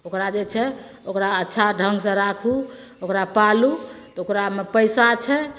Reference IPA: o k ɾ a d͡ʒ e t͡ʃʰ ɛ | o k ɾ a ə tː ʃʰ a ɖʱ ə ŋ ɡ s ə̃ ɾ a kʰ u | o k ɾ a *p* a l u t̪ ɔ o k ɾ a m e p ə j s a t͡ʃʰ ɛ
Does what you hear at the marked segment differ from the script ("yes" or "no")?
no